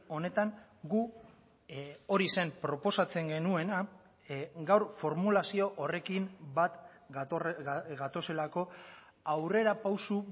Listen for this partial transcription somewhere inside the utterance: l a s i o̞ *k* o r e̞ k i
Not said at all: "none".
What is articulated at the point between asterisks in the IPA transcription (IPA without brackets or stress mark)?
ʔ